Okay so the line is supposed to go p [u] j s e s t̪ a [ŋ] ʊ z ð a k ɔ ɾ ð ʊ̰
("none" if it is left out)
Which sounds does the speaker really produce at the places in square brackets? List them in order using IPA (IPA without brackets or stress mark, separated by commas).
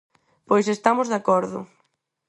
o, m